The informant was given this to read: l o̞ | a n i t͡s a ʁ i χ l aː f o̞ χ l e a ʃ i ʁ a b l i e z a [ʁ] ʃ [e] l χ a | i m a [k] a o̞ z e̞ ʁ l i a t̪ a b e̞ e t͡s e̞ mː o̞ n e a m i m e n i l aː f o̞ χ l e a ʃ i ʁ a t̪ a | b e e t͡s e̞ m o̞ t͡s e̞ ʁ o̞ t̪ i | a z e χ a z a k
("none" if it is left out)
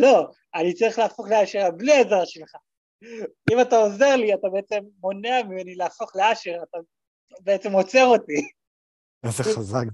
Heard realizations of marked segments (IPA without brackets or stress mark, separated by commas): ʁ, e, t